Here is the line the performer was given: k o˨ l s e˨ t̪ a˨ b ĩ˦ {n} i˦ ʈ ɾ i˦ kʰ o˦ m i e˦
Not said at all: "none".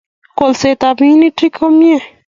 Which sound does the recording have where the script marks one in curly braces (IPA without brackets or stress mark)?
n